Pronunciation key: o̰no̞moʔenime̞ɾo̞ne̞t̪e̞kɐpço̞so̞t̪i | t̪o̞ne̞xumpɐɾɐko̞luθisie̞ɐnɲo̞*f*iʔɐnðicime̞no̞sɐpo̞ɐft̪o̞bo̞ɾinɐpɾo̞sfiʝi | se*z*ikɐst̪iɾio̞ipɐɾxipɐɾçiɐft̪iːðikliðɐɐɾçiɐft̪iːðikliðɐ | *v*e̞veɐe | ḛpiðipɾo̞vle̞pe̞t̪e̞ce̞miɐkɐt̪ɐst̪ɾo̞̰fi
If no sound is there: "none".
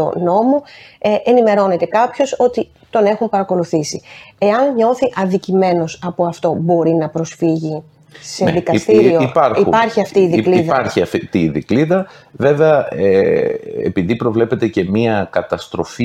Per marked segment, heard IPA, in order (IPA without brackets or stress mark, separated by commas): θ, ð, v